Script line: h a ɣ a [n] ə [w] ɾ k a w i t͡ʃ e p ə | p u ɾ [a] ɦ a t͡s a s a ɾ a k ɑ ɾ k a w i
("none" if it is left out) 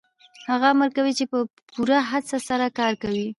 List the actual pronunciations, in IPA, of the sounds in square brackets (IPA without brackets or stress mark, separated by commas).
m, none, a